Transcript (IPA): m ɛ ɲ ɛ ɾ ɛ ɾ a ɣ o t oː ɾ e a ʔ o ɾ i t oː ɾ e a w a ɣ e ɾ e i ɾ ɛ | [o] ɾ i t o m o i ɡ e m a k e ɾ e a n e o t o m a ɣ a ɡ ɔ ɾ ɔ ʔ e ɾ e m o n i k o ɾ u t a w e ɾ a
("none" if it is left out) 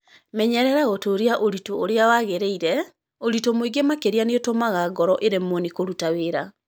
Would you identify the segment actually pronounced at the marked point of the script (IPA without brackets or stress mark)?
o